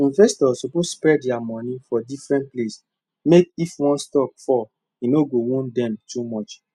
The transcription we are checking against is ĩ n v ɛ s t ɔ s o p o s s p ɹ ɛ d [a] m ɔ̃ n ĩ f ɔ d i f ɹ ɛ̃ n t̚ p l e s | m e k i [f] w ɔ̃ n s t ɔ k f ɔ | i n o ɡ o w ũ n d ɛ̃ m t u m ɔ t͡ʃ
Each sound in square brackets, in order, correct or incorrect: correct, correct

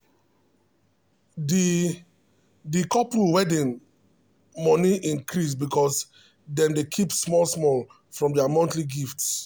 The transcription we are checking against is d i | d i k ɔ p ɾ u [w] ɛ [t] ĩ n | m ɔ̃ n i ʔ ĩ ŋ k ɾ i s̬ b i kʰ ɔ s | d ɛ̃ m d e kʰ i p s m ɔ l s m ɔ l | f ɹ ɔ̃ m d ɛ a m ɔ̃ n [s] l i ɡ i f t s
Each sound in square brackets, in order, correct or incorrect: correct, incorrect: d, incorrect: t

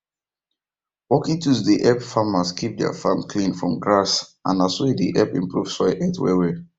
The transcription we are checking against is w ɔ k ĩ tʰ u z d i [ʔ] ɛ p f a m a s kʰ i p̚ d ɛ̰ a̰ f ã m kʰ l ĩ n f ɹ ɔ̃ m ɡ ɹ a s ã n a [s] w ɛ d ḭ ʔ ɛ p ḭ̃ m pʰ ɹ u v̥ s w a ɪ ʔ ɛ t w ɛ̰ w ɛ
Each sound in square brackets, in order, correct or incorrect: correct, correct

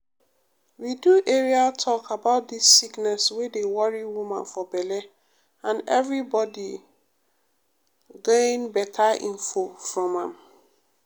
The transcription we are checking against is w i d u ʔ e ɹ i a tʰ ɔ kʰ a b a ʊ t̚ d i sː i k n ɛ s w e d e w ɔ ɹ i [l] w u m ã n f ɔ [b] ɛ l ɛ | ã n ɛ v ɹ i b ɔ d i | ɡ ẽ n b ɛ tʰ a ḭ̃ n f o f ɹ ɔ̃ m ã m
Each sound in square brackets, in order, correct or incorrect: incorrect: none, correct

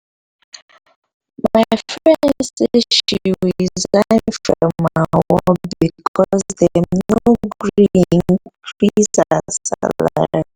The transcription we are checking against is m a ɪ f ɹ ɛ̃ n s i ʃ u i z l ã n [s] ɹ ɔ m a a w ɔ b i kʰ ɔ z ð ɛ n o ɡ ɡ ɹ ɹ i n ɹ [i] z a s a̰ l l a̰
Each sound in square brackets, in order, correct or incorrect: incorrect: f, correct

